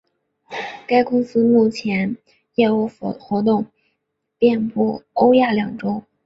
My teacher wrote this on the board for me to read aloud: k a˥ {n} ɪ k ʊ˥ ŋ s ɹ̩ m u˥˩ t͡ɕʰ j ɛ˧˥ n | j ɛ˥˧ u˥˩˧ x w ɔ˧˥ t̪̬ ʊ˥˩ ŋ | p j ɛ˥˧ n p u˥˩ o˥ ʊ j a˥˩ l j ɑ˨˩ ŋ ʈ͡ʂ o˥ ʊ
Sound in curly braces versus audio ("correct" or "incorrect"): incorrect